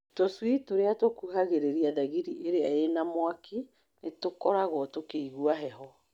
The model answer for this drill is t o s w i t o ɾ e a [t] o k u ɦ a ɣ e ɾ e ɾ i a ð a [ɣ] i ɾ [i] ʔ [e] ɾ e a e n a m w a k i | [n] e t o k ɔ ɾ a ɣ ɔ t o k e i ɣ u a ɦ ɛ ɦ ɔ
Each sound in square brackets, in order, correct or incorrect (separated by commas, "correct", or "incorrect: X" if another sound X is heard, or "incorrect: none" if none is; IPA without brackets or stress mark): correct, correct, correct, correct, correct